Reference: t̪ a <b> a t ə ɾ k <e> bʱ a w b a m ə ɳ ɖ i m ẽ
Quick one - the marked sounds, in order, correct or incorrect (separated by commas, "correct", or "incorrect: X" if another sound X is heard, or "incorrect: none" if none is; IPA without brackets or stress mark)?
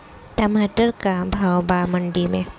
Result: incorrect: m, incorrect: a